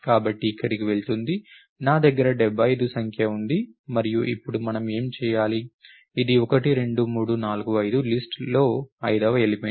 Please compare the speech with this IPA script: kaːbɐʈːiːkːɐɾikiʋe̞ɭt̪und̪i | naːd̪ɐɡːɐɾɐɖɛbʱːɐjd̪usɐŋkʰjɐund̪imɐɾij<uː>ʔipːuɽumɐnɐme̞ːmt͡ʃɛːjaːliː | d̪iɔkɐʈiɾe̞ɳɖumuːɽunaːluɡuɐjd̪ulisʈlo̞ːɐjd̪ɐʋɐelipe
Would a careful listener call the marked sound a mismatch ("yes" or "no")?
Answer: yes